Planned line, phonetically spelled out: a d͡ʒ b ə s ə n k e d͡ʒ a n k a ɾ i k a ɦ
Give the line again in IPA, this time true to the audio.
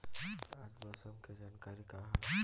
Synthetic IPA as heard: a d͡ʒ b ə s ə m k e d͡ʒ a n k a ɾ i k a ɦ